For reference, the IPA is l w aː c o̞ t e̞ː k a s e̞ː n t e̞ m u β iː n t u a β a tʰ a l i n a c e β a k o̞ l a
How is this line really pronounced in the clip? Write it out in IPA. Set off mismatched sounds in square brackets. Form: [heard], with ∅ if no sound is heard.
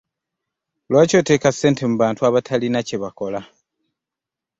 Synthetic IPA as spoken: l w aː c o̞ t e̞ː k a s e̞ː n t e̞ m u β [aː] n t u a β a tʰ a l i n a c e β a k o̞ l a